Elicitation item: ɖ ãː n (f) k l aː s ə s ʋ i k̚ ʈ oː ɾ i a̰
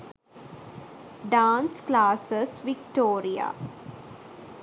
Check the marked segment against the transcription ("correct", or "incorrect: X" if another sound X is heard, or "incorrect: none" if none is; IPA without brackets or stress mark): incorrect: s